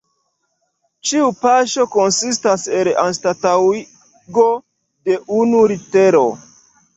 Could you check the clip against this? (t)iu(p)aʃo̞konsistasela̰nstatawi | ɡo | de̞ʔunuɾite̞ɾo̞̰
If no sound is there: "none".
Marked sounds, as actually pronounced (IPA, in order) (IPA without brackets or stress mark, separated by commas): t͡ʃ, p